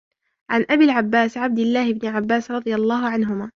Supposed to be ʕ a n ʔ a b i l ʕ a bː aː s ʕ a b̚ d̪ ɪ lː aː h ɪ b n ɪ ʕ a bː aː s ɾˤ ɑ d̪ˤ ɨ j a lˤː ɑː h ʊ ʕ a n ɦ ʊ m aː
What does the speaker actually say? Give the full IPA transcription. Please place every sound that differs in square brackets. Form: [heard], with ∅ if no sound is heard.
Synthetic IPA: ʕ a n ʔ a b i l ʕ a bː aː s ʕ a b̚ d̪ ɪ lː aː h ɪ b n ɪ ʕ a bː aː s ɾˤ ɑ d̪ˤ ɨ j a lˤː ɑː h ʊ ʕ a n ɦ ʊ m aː